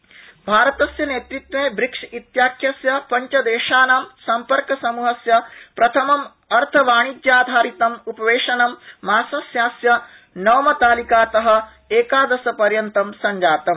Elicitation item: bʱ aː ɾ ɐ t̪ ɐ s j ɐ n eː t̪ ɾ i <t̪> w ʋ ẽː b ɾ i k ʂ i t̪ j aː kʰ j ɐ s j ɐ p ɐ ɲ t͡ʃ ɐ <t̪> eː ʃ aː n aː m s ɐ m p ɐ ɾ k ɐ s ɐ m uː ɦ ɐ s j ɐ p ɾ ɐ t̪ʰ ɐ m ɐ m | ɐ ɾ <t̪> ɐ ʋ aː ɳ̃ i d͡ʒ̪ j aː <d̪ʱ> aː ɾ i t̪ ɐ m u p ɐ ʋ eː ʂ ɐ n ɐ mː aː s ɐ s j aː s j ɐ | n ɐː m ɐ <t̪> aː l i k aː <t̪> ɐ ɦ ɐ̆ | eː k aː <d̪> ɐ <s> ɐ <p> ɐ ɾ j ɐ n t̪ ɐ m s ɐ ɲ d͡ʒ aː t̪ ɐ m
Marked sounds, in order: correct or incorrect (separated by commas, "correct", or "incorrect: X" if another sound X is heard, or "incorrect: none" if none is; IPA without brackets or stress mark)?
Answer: correct, incorrect: d̪, incorrect: t̪ʰ, correct, correct, correct, correct, correct, correct